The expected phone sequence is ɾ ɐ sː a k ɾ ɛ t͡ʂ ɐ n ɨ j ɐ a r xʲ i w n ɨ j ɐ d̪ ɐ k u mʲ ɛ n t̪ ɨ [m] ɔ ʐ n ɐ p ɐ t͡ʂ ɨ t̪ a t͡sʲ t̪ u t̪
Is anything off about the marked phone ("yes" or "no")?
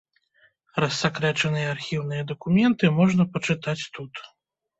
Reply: no